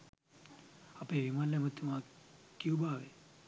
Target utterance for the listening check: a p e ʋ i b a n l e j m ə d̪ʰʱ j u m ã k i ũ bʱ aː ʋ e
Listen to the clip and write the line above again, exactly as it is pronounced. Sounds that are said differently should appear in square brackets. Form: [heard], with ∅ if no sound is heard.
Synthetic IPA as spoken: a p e ʋ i [m] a n l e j m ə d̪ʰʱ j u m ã k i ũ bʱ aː ʋ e